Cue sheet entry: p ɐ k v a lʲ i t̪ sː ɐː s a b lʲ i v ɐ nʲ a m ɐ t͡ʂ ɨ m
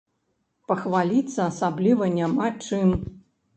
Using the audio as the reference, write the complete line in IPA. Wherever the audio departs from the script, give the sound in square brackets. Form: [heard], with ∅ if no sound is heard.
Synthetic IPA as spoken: p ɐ [x] v a lʲ i t̪ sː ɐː s a b lʲ i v ɐ nʲ a m [a] t͡ʂ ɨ m